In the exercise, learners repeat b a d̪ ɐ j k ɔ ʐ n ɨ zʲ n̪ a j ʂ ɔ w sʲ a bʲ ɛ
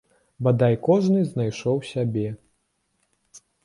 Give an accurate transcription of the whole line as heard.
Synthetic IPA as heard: b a d̪ a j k ɔ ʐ n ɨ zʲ n̪ a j ʂ ɔ w sʲ a bʲ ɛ